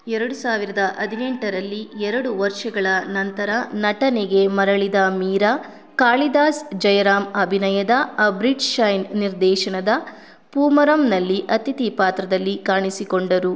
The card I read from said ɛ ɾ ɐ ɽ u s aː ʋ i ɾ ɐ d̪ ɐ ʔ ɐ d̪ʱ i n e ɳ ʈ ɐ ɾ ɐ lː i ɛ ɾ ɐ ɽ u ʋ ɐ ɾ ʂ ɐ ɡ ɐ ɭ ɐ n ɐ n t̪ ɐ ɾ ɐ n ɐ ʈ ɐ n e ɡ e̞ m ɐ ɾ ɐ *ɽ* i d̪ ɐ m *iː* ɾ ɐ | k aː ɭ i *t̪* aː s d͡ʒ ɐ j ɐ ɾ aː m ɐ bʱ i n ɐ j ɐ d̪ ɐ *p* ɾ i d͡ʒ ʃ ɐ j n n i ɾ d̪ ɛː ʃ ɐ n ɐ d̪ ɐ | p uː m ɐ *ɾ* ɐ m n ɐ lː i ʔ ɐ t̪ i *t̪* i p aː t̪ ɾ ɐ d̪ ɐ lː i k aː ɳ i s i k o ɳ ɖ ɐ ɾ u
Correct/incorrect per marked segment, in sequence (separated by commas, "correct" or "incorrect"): incorrect, correct, incorrect, incorrect, correct, correct